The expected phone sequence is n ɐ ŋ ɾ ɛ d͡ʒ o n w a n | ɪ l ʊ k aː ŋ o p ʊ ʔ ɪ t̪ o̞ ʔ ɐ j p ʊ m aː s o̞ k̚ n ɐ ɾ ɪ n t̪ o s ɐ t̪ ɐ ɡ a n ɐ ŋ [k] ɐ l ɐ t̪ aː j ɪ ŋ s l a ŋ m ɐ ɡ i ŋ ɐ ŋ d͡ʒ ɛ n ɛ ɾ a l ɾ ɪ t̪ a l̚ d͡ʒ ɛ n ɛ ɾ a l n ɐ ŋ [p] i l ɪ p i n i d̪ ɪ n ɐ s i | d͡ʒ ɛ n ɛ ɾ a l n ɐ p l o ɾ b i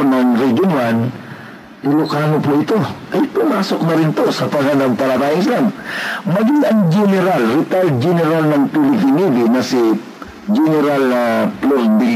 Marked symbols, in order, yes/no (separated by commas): no, yes